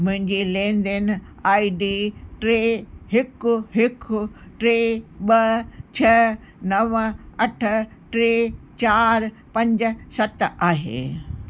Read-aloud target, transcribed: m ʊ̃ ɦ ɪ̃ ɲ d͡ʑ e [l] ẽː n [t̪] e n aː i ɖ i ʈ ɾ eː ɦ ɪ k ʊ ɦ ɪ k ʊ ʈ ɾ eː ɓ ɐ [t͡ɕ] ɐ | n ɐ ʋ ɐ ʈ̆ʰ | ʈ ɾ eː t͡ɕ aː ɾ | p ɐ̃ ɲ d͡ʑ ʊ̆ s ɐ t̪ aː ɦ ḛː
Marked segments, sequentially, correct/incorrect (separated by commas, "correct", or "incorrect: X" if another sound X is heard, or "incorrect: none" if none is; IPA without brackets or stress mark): correct, incorrect: d̪, incorrect: t͡ɕʰ